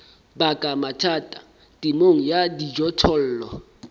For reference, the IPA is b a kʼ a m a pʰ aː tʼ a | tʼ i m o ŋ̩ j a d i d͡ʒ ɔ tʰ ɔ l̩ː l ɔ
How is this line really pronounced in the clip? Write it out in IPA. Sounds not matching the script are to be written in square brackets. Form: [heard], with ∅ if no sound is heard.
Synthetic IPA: b a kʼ a m a [tʰ] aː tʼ a | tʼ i m o ŋ̩ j a d i d͡ʒ ɔ tʰ ɔ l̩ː l ɔ